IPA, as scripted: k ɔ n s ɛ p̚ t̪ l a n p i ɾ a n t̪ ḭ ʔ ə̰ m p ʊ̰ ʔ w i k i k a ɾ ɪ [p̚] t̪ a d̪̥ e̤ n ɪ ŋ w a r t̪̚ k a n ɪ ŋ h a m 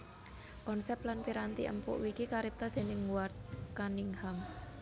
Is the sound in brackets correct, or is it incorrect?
correct